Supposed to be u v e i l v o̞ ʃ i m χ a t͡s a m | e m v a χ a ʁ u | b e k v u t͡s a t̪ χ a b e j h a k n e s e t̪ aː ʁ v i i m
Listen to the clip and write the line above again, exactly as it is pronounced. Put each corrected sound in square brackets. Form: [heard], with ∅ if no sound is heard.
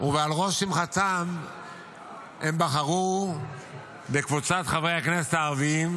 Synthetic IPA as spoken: u v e [a] l [ʁ] o̞ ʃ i m χ a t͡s a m | e m [b] a χ a ʁ u | b e k v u t͡s a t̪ χ a [v] e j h a k n e s e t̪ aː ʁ v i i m